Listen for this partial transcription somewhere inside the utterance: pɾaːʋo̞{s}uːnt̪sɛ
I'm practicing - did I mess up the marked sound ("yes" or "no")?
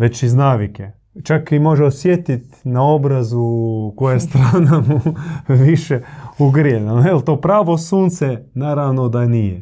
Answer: no